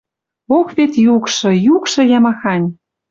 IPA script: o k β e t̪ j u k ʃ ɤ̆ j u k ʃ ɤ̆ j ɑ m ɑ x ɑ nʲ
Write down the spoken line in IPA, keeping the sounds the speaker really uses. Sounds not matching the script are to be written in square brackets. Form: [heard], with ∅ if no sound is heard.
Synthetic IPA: o k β e t̪ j u k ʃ ɤ̆ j u k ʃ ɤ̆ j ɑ m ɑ x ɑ nʲ